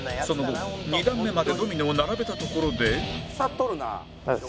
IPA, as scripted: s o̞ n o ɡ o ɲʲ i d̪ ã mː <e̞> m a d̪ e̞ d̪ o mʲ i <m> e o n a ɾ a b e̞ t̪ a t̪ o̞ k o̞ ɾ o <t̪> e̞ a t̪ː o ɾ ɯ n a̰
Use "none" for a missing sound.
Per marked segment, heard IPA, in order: e̞, n, d̪

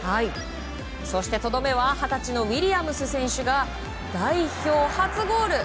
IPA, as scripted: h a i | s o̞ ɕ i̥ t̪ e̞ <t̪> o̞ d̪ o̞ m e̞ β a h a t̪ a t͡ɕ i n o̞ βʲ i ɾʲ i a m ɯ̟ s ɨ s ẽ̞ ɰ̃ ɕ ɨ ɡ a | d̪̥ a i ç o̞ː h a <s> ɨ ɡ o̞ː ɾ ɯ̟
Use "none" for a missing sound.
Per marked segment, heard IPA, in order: t̪, t͡s

